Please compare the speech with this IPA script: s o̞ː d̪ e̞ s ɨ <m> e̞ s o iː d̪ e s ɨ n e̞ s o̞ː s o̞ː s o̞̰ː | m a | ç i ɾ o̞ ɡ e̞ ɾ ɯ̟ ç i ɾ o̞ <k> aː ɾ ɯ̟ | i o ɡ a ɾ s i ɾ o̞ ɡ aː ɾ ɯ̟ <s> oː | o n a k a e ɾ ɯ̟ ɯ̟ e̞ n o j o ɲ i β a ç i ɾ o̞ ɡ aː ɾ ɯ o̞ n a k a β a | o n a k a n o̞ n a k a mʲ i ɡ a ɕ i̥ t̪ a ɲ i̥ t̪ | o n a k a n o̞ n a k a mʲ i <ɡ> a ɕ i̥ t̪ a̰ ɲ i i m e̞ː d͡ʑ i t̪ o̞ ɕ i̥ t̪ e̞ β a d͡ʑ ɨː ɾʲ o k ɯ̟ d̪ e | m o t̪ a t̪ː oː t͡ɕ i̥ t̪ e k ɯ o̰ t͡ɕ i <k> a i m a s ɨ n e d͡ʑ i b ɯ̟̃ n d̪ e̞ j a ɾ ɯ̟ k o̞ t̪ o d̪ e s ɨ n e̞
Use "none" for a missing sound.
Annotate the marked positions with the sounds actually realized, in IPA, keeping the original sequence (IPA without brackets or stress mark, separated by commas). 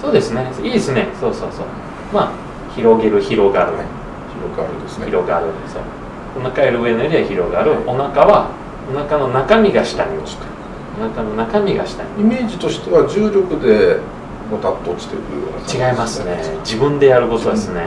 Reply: n, ɡ, s, ɡ, ɡ